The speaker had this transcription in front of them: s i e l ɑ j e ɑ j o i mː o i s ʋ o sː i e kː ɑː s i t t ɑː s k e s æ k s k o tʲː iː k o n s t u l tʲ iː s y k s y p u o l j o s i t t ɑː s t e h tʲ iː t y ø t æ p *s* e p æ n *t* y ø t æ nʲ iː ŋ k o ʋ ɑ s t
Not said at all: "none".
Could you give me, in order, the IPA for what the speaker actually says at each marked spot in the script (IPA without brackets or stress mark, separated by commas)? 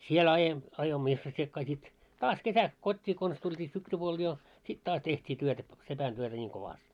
s, t